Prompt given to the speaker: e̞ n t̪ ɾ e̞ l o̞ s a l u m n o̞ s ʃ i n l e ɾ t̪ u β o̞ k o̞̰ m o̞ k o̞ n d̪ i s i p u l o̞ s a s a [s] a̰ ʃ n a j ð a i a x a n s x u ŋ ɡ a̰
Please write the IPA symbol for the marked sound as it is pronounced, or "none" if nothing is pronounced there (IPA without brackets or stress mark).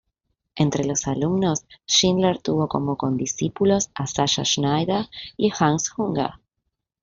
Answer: ʃ